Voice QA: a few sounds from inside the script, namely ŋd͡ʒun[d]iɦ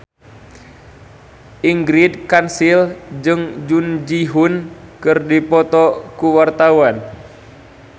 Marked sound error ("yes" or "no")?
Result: yes